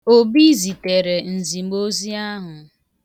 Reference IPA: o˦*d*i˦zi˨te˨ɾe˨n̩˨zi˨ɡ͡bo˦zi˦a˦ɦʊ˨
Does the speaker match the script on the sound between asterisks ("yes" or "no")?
no